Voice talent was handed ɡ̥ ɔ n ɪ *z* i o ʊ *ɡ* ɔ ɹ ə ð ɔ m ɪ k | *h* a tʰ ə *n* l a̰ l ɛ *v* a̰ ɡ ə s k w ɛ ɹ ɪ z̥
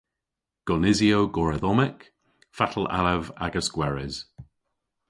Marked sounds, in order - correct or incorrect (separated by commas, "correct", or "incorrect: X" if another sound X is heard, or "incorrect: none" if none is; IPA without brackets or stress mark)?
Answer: correct, correct, incorrect: f, incorrect: none, correct